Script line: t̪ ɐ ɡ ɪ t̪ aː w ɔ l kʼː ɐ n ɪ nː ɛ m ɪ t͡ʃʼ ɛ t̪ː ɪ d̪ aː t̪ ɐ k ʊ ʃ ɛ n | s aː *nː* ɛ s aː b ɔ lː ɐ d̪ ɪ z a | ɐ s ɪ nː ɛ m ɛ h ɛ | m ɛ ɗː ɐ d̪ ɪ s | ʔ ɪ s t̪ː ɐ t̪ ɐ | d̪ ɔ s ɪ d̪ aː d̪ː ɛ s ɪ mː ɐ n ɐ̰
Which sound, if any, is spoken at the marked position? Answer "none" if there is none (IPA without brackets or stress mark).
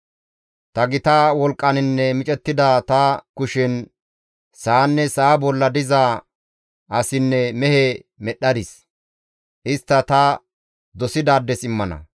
nː